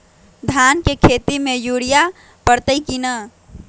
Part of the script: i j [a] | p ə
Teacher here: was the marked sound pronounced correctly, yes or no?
yes